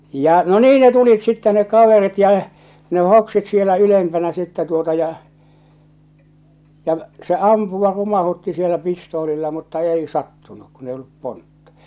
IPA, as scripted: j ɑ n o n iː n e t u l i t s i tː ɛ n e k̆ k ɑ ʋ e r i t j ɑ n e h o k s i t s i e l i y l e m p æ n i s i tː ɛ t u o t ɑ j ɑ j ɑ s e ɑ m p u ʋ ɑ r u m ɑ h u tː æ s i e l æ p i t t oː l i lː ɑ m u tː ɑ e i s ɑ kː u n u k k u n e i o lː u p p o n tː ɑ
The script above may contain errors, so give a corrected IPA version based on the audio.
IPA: j ɑ n o n iː n e t u l i t s i tː ɛ n e k̆ k ɑ ʋ e r i t j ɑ n e h o k s i t s i e l æ y l e m p æ n æ s i tː ɛ t u o t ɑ j ɑ j ɑ s e ɑ m p u ʋ ɑ r u m ɑ h u tː i s i e l æ p i s t oː l i lː ɑ m u tː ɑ e i s ɑ tː u n u k k u n e i o lː u p p o n tː ɑ